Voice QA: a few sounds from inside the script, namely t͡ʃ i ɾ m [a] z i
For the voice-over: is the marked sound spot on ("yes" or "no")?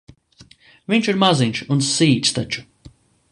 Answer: yes